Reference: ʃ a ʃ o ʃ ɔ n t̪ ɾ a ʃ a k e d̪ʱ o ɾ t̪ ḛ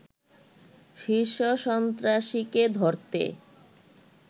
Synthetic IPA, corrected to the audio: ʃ i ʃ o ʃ ɔ n t̪ ɾ a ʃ i k e d̪ʱ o ɾ t̪ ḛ